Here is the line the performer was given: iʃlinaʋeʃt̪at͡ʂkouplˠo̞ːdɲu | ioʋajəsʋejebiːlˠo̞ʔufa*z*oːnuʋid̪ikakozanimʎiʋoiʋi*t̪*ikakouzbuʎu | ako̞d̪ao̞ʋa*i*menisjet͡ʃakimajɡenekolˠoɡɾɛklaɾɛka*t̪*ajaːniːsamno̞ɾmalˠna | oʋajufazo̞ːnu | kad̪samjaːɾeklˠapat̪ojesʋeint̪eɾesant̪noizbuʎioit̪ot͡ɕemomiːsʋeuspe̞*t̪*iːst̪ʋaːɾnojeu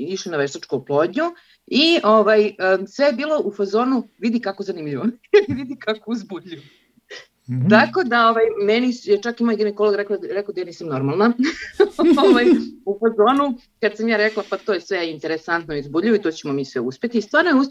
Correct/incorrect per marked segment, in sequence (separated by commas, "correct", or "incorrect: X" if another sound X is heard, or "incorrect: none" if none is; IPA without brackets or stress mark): correct, incorrect: d̪, incorrect: j, incorrect: d̪, correct